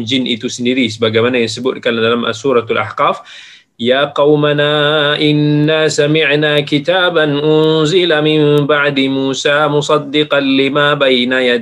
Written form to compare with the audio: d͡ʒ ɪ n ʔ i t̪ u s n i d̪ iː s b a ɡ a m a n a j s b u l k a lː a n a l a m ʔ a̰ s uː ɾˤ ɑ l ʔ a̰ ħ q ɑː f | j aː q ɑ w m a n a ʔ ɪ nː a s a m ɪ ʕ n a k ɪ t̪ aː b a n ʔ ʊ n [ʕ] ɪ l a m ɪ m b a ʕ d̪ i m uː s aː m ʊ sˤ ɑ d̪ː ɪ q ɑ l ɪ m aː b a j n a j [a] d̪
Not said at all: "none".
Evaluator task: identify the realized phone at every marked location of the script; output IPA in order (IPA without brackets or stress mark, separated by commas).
z, a